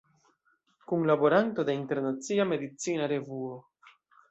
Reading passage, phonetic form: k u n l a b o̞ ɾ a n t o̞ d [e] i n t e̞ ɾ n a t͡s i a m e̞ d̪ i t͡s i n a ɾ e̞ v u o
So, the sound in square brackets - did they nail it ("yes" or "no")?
yes